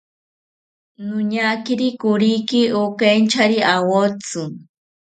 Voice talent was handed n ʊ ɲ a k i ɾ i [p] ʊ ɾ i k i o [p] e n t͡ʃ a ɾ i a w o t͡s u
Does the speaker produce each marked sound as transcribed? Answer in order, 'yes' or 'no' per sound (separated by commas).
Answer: no, no